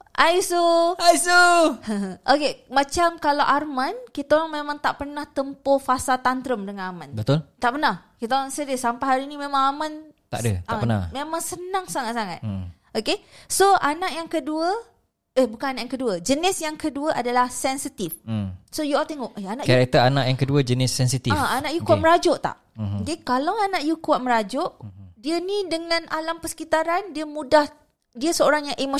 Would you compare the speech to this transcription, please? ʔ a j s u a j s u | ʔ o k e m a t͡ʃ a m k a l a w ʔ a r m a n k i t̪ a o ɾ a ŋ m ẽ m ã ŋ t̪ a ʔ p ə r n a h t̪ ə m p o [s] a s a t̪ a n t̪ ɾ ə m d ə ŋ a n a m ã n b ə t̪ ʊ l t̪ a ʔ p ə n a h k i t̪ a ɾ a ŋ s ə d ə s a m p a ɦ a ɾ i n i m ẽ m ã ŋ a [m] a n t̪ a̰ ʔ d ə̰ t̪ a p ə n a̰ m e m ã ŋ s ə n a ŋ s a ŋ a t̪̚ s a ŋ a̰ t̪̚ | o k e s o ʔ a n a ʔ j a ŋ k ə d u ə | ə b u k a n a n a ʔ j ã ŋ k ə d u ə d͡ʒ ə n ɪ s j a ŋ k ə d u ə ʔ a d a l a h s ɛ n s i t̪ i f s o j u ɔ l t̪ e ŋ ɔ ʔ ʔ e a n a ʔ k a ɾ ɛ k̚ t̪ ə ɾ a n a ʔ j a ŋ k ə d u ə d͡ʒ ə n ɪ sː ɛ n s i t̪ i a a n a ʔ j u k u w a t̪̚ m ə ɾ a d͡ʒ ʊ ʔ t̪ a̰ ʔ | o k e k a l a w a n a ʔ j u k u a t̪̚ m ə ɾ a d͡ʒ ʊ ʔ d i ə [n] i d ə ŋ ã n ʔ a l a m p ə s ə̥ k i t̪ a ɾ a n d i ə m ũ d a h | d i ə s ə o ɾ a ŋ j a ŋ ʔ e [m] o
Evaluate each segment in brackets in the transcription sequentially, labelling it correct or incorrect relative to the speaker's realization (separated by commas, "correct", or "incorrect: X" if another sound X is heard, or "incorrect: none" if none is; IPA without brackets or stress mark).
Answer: incorrect: f, correct, correct, correct